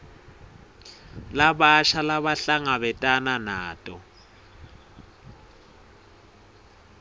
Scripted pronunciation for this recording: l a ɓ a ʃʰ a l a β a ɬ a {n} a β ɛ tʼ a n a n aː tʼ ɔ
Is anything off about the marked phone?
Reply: yes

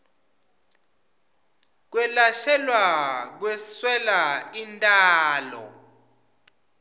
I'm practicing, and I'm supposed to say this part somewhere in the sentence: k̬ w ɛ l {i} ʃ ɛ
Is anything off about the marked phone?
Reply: yes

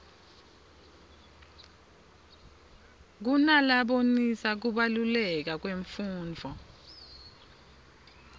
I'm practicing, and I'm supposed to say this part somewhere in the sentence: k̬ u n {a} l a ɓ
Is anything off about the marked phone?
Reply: no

